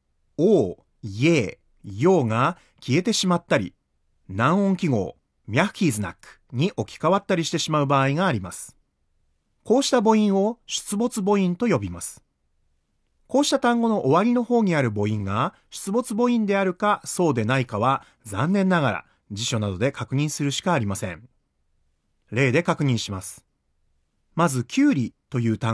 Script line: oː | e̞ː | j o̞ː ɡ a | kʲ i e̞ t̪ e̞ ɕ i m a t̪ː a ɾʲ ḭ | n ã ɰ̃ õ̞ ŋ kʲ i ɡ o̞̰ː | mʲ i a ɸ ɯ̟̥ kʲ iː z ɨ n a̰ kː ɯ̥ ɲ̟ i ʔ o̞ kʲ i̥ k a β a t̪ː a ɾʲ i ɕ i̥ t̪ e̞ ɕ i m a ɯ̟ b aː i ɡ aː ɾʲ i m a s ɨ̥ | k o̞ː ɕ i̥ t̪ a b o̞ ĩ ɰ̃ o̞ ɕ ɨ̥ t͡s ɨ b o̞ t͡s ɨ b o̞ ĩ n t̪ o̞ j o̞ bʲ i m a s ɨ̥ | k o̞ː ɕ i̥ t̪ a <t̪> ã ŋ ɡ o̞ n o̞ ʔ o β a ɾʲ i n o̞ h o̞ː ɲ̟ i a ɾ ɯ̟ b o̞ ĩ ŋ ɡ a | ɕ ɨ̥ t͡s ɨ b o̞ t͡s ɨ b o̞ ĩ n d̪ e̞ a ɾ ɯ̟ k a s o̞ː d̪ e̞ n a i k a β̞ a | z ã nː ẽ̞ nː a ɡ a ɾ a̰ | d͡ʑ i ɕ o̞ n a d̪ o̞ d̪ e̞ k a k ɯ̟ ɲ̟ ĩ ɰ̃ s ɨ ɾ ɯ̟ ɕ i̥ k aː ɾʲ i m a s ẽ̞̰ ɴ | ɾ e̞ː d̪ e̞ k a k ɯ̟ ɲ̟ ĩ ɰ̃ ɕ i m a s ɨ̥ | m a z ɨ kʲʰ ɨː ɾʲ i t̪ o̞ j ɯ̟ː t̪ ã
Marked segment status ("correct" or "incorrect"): correct